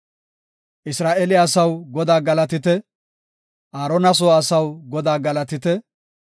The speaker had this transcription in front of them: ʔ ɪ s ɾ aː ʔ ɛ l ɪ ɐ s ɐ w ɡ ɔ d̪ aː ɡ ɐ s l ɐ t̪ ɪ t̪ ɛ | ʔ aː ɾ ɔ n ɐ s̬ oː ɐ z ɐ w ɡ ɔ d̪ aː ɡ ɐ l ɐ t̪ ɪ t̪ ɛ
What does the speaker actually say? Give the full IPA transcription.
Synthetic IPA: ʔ ɪ s ɾ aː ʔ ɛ l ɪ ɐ s ɐ w ɡ ɔ d̪ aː ɡ ɐ l ɐ t̪ ɪ t̪ ɛ | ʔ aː ɾ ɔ n ɐ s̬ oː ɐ s ɐ w ɡ ɔ d̪ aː ɡ ɐ l ɐ t̪ ɪ t̪ ɛ